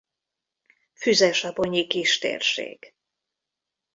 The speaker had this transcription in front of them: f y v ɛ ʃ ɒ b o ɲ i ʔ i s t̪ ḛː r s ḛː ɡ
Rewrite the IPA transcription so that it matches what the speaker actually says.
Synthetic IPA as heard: f y z ɛ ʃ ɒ b o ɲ i k i ʃ t̪ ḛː r ʃ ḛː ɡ